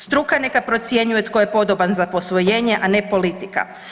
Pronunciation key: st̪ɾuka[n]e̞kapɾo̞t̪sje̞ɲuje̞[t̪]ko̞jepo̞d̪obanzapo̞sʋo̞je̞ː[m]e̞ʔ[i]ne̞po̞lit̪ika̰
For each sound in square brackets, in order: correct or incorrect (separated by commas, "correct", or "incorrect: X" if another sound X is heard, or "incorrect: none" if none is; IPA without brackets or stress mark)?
correct, correct, incorrect: ɲ, incorrect: a